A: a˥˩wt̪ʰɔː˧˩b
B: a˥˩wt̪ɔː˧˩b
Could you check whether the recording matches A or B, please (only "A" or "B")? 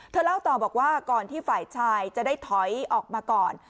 B